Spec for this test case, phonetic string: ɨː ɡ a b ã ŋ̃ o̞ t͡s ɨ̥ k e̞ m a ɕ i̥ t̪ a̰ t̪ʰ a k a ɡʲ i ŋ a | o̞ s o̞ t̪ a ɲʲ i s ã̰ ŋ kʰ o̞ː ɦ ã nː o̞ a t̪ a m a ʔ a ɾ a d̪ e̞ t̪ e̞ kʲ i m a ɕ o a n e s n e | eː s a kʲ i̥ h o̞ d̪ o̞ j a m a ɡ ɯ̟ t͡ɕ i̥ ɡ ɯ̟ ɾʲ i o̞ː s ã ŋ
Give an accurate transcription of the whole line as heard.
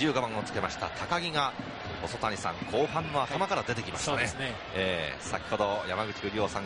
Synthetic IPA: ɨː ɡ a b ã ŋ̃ o̞ t͡s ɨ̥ k e̞ m a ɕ i̥ t̪ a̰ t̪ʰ a k a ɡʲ i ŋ a | o̞ s o̞ t̪ a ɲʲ i s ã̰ ŋ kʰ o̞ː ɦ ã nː o̞ a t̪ a m a k a ɾ a d̪ e̞ t̪ e̞ kʲ i m a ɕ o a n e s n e | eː s a kʲ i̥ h o̞ d̪ o̞ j a m a ɡ ɯ̟ t͡ɕ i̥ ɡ ɯ̟ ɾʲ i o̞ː s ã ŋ